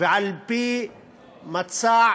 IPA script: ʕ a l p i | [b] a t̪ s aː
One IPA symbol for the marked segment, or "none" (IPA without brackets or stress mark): m